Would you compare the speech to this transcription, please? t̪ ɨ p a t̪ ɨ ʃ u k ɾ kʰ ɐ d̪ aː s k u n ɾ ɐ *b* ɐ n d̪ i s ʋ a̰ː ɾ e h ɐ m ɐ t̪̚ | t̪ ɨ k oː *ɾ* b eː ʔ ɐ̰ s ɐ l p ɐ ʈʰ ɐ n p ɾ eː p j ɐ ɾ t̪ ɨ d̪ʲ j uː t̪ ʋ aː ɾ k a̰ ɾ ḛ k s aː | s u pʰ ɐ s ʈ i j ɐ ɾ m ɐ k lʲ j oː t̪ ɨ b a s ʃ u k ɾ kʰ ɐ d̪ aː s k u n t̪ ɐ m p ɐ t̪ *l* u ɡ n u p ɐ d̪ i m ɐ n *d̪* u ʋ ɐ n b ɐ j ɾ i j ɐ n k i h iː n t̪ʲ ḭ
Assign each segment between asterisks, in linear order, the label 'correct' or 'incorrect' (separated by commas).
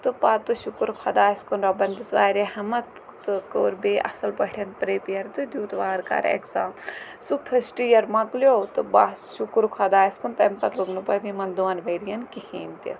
correct, correct, correct, correct